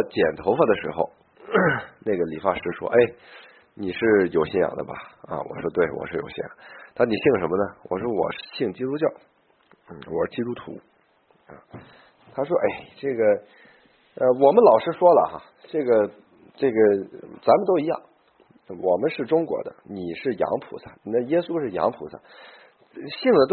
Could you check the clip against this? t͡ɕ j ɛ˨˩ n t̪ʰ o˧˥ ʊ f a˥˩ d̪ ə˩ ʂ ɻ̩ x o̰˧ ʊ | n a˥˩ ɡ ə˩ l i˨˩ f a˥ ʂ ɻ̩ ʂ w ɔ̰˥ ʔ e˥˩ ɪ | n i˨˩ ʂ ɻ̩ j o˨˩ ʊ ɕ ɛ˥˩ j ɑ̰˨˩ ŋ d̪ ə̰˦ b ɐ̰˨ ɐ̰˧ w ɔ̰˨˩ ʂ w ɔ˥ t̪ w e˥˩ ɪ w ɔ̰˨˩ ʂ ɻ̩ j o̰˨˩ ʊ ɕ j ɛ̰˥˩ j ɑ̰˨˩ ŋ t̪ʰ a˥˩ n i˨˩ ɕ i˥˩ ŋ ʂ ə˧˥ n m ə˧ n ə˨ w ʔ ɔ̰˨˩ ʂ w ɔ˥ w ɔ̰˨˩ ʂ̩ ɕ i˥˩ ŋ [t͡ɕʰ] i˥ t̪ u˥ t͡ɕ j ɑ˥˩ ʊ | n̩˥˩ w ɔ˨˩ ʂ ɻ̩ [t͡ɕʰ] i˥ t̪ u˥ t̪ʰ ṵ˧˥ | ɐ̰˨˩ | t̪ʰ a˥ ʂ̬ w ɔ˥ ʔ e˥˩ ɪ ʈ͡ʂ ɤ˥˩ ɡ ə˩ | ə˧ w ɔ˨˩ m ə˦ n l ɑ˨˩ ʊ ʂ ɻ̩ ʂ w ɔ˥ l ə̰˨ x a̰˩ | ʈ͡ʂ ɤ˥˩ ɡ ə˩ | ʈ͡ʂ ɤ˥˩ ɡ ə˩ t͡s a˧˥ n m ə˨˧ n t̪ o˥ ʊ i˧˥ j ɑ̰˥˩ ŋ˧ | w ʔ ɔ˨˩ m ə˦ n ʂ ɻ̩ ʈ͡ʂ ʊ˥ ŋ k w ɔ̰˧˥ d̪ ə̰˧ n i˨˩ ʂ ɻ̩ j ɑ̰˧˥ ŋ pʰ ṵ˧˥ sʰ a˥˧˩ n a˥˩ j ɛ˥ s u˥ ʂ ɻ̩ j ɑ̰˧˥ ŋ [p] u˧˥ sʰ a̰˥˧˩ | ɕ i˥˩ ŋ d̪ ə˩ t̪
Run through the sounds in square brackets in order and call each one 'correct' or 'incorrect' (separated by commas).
incorrect, incorrect, incorrect